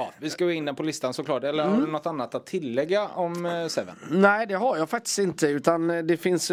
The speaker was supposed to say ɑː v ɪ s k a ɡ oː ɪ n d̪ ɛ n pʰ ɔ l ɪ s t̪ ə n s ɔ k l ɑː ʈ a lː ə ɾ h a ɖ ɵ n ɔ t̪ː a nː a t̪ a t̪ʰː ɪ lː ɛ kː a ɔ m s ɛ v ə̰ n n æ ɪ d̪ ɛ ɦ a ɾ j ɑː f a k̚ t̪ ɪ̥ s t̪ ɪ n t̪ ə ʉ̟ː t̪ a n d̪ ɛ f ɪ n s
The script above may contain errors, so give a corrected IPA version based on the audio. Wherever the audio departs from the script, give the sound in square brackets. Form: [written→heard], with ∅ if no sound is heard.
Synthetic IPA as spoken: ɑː v ɪ s k a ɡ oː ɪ n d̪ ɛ n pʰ ɔ l ɪ s t̪ [ə→a] n s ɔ k l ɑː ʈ [a→ɛ] lː ə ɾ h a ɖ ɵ n ɔ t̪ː a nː a t̪ a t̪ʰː ɪ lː ɛ [kː→ɡː] a ɔ m s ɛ v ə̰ n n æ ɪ d̪ ɛ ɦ a ɾ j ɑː f a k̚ t̪ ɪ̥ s t̪ ɪ n t̪ ə ʉ̟ː t̪ a n d̪ ɛ f ɪ n s